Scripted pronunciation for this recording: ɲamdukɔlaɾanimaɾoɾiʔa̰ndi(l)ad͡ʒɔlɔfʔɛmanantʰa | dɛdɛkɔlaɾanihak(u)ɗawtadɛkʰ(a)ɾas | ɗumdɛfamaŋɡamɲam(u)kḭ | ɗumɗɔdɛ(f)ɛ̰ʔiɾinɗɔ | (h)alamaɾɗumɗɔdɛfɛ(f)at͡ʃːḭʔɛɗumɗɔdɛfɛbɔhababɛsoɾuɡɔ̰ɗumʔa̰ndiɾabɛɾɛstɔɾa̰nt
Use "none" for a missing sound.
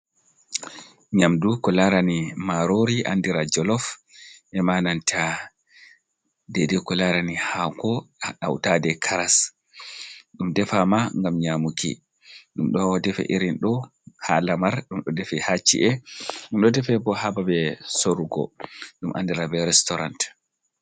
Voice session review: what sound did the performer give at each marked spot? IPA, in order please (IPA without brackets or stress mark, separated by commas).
ɾ, ɔ, a, u, f, h, h